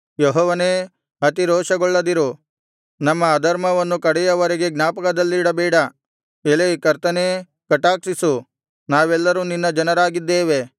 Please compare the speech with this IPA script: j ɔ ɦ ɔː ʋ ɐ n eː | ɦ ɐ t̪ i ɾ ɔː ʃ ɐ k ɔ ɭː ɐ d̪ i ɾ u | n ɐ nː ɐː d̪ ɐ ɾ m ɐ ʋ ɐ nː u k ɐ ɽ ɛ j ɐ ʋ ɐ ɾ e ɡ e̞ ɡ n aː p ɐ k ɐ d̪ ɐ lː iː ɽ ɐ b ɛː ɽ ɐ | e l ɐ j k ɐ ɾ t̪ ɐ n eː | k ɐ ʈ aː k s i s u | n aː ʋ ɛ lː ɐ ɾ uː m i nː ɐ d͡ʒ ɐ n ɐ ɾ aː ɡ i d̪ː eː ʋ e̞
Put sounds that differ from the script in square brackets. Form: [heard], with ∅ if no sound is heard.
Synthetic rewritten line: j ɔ ɦ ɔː ʋ ɐ n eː | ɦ ɐ t̪ i ɾ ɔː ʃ ɐ [ɡ] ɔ ɭː ɐ d̪ i ɾ u | n ɐ [mː] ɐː d̪ ɐ ɾ m ɐ ʋ ɐ nː u k ɐ ɽ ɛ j ɐ ʋ ɐ ɾ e ɡ e̞ ɡ n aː p ɐ k ɐ d̪ ɐ lː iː ɽ ɐ b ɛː ɽ ɐ | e l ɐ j k ɐ ɾ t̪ ɐ n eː | k ɐ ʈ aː k s i s u | n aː ʋ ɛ lː ɐ ɾ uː [n] i nː ɐ d͡ʒ ɐ n ɐ ɾ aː ɡ i d̪ː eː ʋ e̞

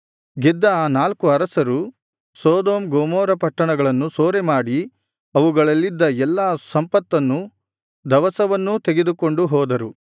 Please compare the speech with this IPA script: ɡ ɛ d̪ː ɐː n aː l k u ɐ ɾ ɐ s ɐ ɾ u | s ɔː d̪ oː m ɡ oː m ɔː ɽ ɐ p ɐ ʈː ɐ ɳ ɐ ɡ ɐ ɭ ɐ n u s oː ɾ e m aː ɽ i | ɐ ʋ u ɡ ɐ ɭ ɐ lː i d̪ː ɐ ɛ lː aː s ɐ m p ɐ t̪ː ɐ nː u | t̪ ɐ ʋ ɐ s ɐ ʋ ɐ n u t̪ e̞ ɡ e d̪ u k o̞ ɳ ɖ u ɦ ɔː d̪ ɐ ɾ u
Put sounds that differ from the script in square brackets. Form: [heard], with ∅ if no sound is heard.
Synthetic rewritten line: ɡ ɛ d̪ː ɐː n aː l k u ɐ ɾ ɐ s ɐ ɾ u | s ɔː d̪ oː m ɡ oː m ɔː [ɾ] ɐ p ɐ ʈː ɐ ɳ ɐ ɡ ɐ ɭ ɐ [nː] u s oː ɾ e m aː ɽ i | ɐ ʋ u ɡ ɐ ɭ ɐ lː i d̪ː ɐ ɛ lː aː s ɐ m p ɐ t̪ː ɐ nː u | [d̪] ɐ ʋ ɐ s ɐ ʋ ɐ [nː] u t̪ e̞ ɡ e d̪ u k o̞ ɳ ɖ u ɦ ɔː d̪ ɐ ɾ u

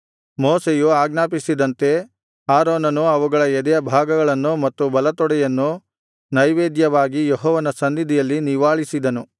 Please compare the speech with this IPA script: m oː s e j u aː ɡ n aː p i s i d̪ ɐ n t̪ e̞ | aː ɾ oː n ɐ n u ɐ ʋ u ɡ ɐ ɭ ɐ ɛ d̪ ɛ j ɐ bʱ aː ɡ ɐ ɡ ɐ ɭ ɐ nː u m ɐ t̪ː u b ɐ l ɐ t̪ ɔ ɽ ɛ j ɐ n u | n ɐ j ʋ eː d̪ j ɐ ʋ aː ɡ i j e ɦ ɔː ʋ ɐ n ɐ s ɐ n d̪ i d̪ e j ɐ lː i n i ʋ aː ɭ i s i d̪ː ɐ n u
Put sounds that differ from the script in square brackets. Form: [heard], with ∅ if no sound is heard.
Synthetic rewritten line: m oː s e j u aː ɡ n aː p i s i d̪ ɐ n t̪ e̞ | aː ɾ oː n ɐ n u ɐ ʋ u ɡ ɐ ɭ ɐ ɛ d̪ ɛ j ɐ bʱ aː ɡ ɐ ɡ ɐ ɭ ɐ nː u m ɐ t̪ː u b ɐ l ɐ t̪ ɔ ɽ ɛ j ɐ [nː] u | n ɐ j ʋ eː d̪ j ɐ ʋ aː ɡ i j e ɦ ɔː ʋ ɐ n ɐ s ɐ n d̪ i d̪ [i] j ɐ lː i n i ʋ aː ɭ i s i [d̪] ɐ n u

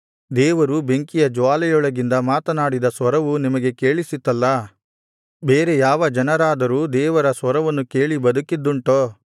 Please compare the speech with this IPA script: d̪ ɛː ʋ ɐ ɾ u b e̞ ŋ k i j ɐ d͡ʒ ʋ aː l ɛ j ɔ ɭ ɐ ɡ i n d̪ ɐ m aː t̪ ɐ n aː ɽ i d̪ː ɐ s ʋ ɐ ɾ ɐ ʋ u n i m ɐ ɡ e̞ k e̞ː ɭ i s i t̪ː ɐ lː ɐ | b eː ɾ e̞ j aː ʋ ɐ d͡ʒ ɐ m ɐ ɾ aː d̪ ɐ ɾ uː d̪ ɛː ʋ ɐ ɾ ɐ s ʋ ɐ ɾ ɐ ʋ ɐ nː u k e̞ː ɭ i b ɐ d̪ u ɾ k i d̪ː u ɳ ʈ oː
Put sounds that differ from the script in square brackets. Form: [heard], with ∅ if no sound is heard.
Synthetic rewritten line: d̪ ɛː ʋ ɐ ɾ u b e̞ ŋ k i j ɐ d͡ʒ ʋ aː l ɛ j ɔ ɭ ɐ ɡ i n d̪ ɐ m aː t̪ ɐ n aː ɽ i [d̪] ɐ s ʋ ɐ ɾ ɐ ʋ u n i m ɐ ɡ e̞ k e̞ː ɭ i s i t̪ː ɐ lː ɐ | b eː ɾ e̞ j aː ʋ ɐ d͡ʒ ɐ [n] ɐ ɾ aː d̪ ɐ ɾ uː d̪ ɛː ʋ ɐ ɾ ɐ s ʋ ɐ ɾ ɐ ʋ ɐ nː u k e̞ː ɭ i b ɐ d̪ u [∅] k i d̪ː u ɳ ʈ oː

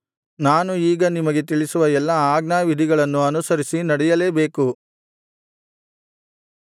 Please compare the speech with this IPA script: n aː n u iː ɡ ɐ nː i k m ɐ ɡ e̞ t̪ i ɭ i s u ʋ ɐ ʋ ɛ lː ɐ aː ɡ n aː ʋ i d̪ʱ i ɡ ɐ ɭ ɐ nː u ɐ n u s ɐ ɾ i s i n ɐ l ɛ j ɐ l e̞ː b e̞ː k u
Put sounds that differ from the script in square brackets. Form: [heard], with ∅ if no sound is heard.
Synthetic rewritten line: n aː n u iː ɡ ɐ [n] i [∅] m ɐ ɡ e̞ t̪ i ɭ i s u ʋ ɐ [∅] ɛ lː ɐ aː ɡ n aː ʋ i d̪ʱ i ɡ ɐ ɭ ɐ nː u ɐ n u s ɐ ɾ i s i n ɐ [ɽ] ɛ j ɐ l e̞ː b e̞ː k u

